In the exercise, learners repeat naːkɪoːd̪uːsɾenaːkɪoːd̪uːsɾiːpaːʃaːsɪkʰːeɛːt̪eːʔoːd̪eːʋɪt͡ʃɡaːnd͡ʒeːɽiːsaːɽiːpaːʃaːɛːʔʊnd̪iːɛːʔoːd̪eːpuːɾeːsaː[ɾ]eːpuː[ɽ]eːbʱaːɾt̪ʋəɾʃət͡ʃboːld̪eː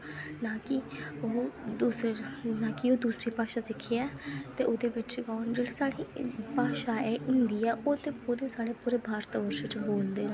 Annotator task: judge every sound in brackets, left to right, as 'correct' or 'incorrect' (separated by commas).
incorrect, incorrect